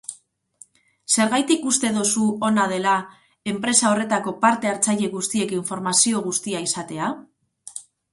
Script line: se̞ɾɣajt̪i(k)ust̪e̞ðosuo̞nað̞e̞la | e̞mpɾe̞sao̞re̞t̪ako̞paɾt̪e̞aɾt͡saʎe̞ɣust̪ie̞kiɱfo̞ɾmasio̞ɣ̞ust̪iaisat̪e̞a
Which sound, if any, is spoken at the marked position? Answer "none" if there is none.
k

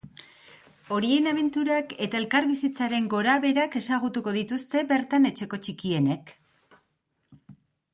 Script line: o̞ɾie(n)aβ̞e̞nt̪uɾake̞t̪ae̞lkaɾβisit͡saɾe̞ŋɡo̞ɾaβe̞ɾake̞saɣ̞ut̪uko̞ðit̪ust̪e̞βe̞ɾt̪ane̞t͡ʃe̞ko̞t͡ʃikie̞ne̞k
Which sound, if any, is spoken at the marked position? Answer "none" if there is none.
n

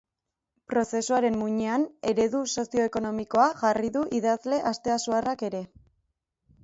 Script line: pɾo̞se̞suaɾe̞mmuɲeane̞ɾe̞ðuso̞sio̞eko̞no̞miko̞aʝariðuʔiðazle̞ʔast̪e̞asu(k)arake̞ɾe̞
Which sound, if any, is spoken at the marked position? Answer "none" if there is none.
none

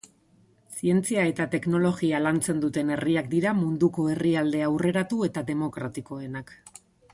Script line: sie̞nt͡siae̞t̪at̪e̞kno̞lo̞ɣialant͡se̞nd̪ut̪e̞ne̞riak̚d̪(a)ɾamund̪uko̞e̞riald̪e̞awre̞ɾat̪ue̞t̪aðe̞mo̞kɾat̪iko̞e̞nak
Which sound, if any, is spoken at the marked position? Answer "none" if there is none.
i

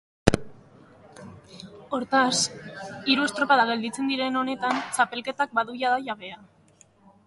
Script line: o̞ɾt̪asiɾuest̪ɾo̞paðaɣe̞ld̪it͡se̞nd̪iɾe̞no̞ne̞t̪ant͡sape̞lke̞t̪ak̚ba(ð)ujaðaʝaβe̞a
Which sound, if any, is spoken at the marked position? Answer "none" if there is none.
ð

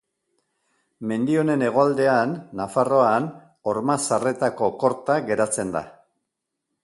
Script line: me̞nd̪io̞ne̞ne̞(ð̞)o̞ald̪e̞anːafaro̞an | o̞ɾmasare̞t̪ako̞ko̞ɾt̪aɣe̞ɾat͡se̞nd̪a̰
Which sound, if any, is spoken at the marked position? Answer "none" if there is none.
ɣ̞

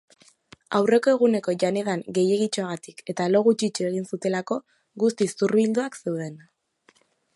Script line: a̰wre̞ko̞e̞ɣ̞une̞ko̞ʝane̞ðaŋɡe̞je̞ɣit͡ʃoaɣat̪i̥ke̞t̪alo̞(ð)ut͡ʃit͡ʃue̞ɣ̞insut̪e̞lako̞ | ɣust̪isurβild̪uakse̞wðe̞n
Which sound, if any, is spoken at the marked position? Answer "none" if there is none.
ɣ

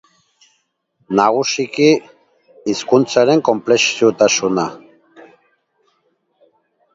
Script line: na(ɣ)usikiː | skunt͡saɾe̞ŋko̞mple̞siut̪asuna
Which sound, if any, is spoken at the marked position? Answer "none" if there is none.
ɣ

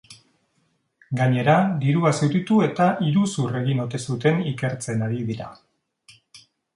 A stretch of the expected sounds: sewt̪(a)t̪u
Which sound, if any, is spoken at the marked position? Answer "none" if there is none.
i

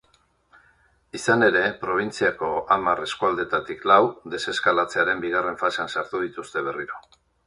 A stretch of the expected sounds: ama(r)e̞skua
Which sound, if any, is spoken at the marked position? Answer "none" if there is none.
r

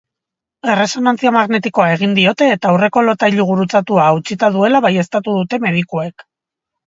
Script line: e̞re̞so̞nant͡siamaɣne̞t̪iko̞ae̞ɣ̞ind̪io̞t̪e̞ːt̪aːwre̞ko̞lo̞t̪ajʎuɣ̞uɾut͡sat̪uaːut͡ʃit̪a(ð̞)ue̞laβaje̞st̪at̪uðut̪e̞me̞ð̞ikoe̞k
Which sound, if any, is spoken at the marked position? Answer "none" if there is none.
ð̞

